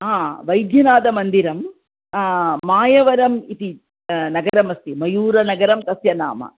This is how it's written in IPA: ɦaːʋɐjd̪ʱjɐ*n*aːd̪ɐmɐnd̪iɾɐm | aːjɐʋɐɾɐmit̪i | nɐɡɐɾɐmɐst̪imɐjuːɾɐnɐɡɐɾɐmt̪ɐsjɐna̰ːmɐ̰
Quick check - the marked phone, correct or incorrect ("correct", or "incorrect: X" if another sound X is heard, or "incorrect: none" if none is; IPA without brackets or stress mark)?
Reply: correct